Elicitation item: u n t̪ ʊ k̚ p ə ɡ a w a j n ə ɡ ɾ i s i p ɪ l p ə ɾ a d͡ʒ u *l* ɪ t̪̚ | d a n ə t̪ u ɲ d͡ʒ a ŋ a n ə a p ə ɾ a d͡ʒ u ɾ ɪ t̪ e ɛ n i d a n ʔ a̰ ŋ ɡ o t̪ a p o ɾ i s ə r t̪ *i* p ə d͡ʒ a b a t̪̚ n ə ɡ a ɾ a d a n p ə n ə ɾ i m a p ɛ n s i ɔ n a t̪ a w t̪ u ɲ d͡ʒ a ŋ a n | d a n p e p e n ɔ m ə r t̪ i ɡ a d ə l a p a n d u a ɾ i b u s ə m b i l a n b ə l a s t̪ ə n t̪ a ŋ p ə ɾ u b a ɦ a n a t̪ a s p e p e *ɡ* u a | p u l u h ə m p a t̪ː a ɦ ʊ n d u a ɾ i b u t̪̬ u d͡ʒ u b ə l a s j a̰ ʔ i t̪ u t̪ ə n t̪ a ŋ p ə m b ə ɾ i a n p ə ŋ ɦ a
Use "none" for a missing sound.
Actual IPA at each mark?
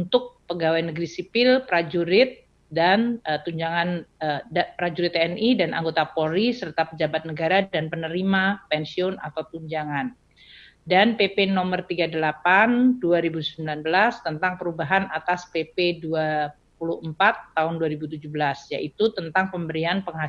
ɾ, a, d

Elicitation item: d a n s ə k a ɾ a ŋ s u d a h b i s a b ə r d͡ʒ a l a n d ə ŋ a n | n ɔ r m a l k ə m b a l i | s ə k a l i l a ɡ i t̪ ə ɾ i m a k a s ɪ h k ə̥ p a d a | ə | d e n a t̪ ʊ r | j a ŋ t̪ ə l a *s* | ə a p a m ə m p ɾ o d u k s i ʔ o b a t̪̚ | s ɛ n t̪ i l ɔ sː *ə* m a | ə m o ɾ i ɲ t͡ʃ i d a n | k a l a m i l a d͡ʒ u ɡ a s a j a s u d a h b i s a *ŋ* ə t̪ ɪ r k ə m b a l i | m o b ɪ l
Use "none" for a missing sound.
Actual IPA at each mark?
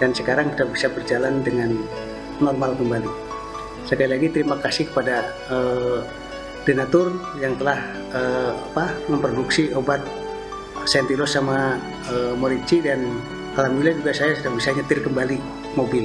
h, a, ɲ

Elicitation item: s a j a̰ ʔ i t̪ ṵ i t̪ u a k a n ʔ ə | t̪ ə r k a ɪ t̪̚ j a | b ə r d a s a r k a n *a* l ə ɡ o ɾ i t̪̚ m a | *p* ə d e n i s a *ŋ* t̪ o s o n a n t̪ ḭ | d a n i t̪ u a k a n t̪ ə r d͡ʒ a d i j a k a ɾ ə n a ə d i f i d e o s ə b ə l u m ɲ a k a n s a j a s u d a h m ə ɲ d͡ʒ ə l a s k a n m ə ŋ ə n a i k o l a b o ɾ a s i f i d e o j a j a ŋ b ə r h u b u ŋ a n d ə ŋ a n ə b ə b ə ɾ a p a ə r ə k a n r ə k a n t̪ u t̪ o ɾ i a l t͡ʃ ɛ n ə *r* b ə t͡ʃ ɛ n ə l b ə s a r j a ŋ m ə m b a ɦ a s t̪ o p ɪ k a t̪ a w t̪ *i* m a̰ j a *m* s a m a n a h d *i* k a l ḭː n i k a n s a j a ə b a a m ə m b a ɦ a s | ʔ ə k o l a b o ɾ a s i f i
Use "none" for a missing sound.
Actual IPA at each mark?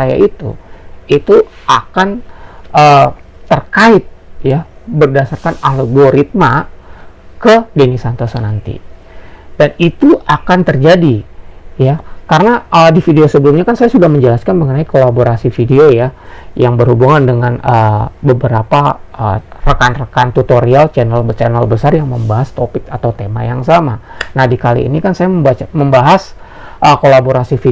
a, k, n, l, e, ŋ, i

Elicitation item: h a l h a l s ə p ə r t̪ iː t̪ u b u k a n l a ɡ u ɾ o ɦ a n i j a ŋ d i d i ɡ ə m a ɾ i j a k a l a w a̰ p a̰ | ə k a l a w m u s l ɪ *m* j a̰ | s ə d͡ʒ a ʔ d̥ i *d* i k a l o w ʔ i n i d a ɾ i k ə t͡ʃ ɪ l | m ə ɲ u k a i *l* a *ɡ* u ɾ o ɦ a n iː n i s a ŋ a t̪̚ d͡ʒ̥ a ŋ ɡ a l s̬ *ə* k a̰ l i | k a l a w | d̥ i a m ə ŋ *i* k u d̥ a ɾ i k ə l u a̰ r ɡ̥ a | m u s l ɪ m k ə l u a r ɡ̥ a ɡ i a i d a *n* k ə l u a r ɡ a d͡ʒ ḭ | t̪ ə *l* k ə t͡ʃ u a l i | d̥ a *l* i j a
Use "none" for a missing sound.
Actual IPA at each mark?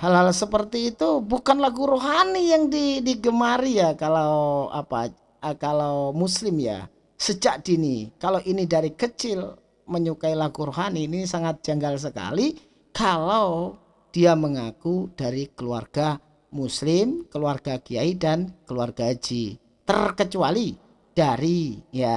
m, n, l, ɡ, ə, a, n, r, ɾ

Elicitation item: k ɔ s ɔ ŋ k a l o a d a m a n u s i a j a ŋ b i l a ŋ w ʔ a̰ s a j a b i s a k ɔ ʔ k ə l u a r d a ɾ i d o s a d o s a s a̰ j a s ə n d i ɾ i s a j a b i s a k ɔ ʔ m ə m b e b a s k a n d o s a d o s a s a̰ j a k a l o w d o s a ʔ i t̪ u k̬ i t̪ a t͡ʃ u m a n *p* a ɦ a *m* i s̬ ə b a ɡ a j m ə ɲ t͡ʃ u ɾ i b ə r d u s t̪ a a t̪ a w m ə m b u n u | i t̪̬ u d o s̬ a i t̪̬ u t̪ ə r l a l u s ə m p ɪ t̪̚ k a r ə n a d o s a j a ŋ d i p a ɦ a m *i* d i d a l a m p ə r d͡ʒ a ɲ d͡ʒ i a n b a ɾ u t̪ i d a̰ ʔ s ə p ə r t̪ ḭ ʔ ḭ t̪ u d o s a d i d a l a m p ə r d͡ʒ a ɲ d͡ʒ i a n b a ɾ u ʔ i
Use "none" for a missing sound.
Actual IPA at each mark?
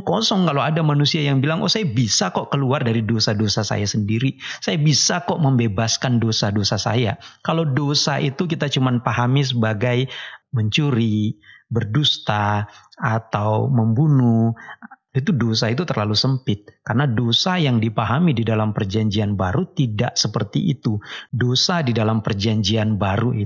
p, m, i

